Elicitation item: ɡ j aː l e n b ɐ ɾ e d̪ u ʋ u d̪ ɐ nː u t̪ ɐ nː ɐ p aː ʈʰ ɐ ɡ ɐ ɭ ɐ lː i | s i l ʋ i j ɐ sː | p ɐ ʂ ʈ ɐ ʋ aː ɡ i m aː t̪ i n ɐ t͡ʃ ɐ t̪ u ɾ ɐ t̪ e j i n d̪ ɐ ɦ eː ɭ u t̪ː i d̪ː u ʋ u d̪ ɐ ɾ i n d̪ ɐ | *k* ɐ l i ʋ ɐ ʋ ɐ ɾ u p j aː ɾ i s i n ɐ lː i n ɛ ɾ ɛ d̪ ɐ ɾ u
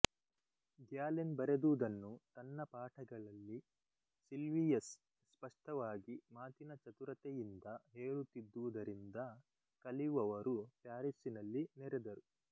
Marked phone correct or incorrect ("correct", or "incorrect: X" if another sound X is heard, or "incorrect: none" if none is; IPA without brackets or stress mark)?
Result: correct